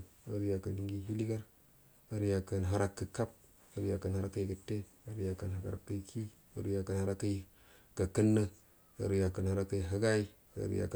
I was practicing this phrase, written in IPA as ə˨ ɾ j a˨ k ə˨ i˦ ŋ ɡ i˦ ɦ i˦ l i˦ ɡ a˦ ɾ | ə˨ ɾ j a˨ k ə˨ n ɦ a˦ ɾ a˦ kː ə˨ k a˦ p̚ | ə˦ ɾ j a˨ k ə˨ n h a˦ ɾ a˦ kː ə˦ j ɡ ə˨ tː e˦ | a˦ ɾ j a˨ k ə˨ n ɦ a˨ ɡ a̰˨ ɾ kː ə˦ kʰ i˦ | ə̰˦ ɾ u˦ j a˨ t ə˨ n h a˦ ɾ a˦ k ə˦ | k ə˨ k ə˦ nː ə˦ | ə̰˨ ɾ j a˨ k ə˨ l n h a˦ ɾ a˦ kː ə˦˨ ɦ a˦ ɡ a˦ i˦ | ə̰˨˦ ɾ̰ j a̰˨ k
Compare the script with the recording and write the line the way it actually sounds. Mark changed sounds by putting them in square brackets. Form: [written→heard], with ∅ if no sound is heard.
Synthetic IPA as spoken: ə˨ ɾ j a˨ k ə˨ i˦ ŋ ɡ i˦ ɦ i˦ l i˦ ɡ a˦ ɾ | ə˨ ɾ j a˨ k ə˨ n ɦ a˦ ɾ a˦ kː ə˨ k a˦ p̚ | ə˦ ɾ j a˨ k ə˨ n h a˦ ɾ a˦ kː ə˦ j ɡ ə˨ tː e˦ | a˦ ɾ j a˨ k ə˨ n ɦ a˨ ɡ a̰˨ ɾ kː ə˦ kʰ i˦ | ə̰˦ ɾ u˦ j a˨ [t→k] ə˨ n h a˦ ɾ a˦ k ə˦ | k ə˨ k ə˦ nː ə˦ | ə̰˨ ɾ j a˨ k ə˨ [l→∅] n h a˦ ɾ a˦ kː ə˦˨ ɦ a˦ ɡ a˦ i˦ | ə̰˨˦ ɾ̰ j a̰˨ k